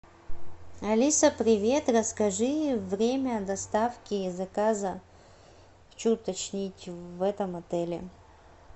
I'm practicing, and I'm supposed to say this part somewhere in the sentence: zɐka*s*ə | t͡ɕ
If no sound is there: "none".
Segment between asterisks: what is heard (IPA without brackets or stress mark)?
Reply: z